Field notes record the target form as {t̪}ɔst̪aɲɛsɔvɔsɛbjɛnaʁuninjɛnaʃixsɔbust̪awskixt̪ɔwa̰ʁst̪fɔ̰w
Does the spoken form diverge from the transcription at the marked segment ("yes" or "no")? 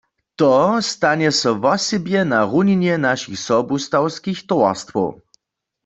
no